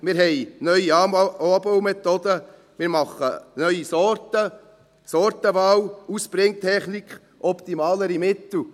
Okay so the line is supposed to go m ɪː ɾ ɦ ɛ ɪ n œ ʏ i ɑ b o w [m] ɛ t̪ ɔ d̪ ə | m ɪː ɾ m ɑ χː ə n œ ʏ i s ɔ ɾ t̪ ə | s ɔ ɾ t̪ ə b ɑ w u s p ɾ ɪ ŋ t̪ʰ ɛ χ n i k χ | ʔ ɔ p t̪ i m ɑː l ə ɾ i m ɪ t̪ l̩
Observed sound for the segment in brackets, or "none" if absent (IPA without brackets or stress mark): m